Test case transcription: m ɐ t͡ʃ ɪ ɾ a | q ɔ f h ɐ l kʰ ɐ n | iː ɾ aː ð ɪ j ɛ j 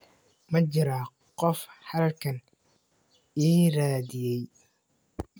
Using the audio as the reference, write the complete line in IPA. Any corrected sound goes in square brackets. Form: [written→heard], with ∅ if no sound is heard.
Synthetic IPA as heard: m ɐ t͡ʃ ɪ ɾ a | q ɔ f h ɐ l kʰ ɐ n | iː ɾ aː ð ɪ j ɛ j